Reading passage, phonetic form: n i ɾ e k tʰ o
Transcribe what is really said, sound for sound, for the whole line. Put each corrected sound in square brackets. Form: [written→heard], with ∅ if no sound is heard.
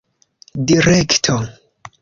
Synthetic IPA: [n→d] i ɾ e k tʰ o

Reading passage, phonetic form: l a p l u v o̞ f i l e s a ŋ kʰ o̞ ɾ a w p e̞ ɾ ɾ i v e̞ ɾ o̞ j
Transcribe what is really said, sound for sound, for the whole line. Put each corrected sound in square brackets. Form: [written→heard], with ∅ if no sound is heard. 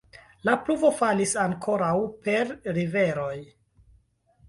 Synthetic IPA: l a p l u v o̞ f [i→a] l [e→i] s a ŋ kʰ o̞ ɾ a w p e̞ ɾ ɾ i v e̞ ɾ o̞ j

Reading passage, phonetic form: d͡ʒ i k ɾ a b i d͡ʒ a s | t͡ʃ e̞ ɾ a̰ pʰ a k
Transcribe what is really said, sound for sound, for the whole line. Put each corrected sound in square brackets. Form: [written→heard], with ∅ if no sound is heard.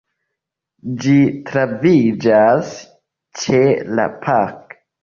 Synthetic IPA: d͡ʒ i [k→t] ɾ a [b→v] i d͡ʒ a s | t͡ʃ e̞ [ɾ→l] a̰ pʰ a k

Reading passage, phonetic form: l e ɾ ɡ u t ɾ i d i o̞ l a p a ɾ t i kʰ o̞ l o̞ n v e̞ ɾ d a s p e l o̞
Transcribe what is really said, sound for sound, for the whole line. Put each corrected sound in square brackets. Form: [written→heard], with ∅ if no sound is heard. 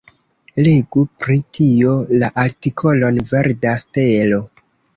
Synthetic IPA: l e [ɾ→∅] ɡ u [t→p] ɾ i [d→t] i o̞ l a [p→ʔ] a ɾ t i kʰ o̞ l o̞ n v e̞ ɾ d a s [p→t] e l o̞

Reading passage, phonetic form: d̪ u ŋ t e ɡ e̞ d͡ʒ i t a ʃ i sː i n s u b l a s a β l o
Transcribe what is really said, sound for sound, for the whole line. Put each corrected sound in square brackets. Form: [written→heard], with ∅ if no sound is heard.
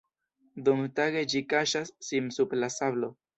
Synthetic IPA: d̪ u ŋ t [e→a] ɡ e̞ d͡ʒ i [t→k] a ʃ [i→a] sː i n s u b l a s a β l o

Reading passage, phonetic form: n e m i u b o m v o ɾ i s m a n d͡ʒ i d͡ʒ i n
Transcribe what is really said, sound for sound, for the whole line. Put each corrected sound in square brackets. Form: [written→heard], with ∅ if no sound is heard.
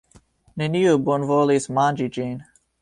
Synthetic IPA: n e [m→n] i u b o [m→n] v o [ɾ→l] i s m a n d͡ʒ i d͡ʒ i n

